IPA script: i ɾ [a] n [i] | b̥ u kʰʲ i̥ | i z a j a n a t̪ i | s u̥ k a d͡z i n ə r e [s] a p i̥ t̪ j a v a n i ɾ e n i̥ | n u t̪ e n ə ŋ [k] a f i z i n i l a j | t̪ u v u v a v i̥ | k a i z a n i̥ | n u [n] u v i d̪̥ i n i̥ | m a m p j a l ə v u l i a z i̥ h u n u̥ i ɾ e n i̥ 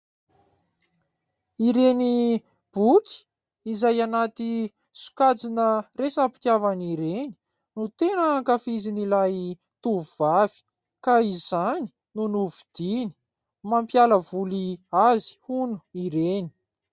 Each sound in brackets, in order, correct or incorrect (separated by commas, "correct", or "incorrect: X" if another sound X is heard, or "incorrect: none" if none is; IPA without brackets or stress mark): incorrect: e, correct, correct, correct, correct